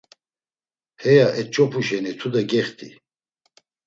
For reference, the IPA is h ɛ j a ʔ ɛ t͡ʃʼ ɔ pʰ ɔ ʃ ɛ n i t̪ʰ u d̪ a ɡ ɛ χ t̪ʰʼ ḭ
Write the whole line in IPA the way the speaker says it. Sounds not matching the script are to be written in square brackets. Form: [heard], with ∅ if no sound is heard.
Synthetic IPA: h ɛ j a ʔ ɛ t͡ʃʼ ɔ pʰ [u] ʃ ɛ n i t̪ʰ u d̪ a ɡ ɛ χ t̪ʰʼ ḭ